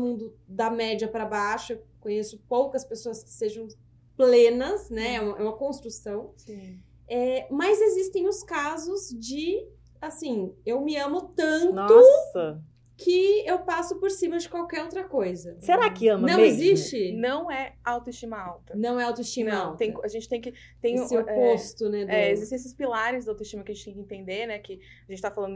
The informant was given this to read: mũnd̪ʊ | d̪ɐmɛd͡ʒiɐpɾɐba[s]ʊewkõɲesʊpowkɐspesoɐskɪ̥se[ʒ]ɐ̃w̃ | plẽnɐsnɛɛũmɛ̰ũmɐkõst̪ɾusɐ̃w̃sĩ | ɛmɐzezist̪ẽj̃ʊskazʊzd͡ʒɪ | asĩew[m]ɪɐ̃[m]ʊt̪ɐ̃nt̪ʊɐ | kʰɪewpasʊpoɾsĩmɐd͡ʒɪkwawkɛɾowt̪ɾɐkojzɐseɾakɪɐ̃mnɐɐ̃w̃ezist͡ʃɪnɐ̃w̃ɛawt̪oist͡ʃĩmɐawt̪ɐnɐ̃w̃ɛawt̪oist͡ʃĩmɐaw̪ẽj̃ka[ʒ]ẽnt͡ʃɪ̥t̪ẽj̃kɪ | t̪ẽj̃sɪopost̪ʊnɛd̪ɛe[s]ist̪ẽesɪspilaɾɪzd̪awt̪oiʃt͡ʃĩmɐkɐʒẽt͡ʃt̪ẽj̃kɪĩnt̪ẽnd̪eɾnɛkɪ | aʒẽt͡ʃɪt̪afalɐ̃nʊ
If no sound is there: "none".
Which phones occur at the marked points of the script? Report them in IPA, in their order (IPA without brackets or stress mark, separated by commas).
ʃ, ʒ, m, m, ʒ, z